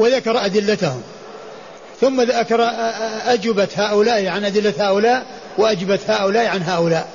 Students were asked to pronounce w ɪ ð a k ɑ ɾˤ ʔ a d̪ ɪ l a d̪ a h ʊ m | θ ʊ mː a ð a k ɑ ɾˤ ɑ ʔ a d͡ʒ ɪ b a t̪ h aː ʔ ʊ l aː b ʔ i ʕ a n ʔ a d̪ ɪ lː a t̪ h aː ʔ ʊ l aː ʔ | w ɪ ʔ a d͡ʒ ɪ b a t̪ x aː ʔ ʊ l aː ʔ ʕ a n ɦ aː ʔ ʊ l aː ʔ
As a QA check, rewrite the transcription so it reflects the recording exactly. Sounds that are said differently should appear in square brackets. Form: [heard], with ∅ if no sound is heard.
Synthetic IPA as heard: w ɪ ð a k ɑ ɾˤ ʔ a d̪ ɪ [lː] a [t̪] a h ʊ m | θ ʊ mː a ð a k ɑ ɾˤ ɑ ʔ a d͡ʒ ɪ b a t̪ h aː ʔ ʊ l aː [∅] ʔ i ʕ a n ʔ a d̪ ɪ lː a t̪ h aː ʔ ʊ l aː ʔ | w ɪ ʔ a d͡ʒ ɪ b a t̪ [h] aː ʔ ʊ l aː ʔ ʕ a n ɦ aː ʔ ʊ l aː ʔ